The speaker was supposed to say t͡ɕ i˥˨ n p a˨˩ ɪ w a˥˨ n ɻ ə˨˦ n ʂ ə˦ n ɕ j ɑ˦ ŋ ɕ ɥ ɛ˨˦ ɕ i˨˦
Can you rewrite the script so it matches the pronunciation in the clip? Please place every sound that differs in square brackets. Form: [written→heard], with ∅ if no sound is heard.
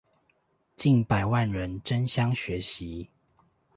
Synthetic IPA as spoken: t͡ɕ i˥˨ n p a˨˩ ɪ w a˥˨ n ɻ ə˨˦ n [ʂ→ʈ͡ʂ] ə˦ n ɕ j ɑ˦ ŋ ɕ ɥ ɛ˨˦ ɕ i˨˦